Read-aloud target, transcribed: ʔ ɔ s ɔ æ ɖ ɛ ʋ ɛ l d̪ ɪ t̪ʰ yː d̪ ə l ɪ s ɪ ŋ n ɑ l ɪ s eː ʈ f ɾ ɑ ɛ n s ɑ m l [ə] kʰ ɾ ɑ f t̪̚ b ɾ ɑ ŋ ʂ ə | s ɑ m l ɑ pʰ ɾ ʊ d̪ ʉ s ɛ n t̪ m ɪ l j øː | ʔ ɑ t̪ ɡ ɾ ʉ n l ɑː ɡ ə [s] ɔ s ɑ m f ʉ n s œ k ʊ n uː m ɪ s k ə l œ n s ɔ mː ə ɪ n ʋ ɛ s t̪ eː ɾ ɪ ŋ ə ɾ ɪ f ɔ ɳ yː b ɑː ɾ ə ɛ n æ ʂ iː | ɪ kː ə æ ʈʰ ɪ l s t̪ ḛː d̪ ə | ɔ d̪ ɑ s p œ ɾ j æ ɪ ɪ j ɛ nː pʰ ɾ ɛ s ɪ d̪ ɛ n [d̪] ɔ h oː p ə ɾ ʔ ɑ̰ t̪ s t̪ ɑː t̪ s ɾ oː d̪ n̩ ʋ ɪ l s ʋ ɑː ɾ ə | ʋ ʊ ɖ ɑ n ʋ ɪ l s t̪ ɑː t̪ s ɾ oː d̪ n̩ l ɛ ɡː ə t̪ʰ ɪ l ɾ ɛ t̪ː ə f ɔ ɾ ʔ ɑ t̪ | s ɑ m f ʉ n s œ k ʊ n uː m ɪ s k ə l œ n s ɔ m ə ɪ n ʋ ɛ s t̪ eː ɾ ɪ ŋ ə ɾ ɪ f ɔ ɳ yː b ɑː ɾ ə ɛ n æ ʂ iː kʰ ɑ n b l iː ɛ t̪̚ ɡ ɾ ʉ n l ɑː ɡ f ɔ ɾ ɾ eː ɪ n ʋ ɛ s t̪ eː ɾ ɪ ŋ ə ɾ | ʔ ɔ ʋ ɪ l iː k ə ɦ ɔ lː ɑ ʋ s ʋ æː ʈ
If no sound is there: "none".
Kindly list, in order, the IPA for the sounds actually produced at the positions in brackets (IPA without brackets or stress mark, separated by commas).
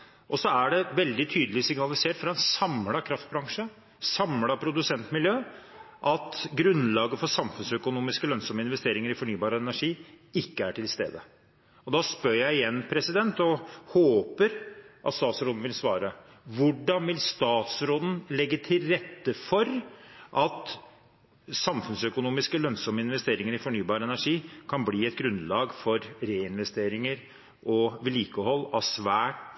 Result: ɑ, f, t̪